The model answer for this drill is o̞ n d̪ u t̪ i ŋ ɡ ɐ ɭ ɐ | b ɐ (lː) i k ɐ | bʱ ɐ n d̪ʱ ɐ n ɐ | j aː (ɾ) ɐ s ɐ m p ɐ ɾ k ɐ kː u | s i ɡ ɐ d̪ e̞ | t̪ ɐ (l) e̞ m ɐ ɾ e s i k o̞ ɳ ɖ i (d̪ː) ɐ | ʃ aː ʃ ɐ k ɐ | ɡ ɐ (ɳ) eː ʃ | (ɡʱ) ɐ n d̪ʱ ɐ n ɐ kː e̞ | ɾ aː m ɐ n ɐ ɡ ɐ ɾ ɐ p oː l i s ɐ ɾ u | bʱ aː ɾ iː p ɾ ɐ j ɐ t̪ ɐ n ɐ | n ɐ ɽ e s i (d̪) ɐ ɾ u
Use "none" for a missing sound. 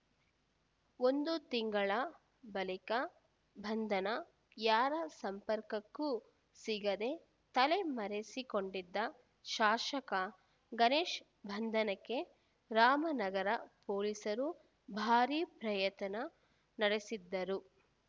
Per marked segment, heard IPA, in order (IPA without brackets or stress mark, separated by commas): l, ɾ, l, d̪ː, n, bʱ, d̪ː